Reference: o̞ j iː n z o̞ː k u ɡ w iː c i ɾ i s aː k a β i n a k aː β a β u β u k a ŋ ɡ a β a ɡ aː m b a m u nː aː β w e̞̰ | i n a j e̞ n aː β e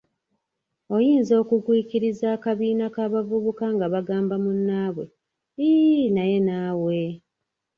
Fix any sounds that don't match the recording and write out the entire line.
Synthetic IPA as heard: o̞ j iː n z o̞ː k u ɡ w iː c i ɾ i z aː k a β iː n a k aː β a v u β u k a ŋ ɡ a β a ɡ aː m b a m u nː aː β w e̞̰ | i n a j e̞ n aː w e